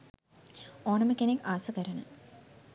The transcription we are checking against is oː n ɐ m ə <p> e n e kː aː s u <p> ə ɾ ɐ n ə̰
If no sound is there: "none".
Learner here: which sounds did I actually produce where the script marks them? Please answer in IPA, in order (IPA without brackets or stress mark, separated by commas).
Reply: k, k